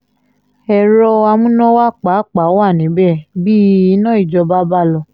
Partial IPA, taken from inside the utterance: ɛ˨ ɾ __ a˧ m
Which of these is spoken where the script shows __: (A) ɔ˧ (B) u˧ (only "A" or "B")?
A